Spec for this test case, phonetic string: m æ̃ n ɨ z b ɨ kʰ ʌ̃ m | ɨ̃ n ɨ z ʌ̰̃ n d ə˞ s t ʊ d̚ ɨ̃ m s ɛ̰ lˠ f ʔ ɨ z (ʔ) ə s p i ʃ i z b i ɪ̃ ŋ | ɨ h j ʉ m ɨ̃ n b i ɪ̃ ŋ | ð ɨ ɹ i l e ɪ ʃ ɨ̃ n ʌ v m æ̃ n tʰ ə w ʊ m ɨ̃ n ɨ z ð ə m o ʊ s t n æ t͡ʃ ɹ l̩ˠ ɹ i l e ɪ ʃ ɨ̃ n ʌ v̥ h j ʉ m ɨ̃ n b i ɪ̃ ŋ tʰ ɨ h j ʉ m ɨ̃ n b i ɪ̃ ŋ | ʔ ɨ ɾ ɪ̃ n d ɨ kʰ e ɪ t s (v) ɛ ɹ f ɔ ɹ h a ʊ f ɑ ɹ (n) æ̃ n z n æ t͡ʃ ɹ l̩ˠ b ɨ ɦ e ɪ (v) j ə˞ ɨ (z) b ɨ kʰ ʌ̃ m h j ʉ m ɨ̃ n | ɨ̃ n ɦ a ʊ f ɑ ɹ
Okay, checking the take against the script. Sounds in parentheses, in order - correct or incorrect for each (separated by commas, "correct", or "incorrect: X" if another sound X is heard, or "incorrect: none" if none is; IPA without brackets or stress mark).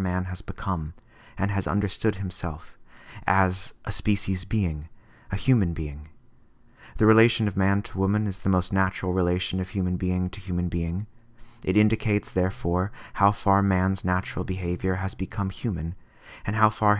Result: correct, incorrect: ð, incorrect: m, correct, correct